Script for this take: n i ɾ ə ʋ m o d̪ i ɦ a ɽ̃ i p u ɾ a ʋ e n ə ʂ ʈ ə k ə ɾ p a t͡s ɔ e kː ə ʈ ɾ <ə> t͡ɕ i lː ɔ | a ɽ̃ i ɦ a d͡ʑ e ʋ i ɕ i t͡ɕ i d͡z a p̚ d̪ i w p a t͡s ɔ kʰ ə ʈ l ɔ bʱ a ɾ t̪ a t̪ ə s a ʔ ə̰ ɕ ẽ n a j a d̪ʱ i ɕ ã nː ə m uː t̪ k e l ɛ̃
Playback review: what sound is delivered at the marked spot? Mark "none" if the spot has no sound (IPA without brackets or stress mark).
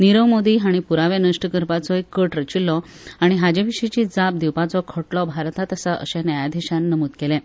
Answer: ə